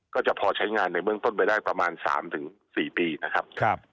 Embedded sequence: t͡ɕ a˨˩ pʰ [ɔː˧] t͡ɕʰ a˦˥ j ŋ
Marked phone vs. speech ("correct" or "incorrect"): correct